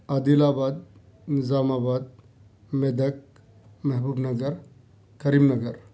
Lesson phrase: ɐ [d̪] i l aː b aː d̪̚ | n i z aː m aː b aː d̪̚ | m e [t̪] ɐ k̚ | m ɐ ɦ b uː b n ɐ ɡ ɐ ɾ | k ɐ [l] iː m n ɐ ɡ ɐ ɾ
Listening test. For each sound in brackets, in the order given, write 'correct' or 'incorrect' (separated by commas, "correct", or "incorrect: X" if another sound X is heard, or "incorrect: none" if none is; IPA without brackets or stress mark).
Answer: correct, incorrect: d̪, incorrect: ɾ